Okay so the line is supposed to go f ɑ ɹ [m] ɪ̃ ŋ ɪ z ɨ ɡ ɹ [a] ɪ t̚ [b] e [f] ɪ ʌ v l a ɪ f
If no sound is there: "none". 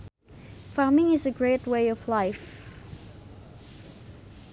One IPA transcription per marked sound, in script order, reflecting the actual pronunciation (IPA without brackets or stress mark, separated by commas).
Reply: m, e, w, none